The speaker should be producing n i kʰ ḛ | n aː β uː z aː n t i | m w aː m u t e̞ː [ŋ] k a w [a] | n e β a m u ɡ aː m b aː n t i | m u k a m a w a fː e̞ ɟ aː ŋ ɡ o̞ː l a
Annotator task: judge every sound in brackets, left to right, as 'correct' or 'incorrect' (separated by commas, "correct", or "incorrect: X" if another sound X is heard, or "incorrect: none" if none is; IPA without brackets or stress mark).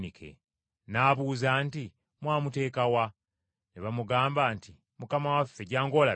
incorrect: none, correct